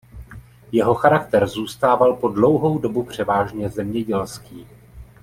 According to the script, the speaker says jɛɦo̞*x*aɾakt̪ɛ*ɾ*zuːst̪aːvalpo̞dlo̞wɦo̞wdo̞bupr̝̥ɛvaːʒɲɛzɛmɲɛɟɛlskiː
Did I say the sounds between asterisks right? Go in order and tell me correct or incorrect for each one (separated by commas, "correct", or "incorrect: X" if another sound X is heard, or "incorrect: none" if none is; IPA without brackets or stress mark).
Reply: correct, correct